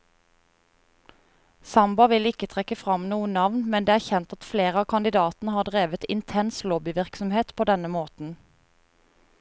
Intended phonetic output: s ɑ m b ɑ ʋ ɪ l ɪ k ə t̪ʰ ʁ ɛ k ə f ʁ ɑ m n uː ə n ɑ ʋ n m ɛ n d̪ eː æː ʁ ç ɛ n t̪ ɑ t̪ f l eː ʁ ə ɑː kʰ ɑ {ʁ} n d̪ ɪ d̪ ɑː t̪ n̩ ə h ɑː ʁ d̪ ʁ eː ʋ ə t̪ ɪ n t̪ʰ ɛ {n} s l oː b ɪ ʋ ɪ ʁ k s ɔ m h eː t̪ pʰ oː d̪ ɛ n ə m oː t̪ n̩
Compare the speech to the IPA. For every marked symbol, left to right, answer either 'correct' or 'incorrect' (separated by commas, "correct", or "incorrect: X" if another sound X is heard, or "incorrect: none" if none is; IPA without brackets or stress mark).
incorrect: none, correct